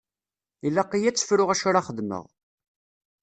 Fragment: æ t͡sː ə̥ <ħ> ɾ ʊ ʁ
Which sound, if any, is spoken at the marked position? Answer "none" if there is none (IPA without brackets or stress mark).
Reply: f